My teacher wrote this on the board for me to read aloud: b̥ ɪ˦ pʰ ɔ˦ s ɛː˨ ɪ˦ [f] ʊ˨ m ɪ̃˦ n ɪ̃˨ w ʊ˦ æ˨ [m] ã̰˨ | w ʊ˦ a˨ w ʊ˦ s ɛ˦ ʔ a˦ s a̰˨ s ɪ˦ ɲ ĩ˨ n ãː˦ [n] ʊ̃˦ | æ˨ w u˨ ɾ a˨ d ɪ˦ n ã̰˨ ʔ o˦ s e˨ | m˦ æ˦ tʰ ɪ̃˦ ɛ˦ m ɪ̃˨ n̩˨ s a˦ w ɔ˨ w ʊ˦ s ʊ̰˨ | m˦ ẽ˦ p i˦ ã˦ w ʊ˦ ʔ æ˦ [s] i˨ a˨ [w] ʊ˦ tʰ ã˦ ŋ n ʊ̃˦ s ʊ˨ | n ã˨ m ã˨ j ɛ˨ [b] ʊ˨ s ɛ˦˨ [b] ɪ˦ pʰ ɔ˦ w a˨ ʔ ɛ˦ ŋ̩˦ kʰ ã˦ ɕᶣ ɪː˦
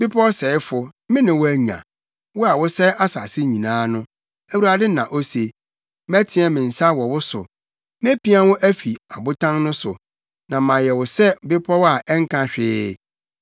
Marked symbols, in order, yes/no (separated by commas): yes, no, yes, no, no, no, yes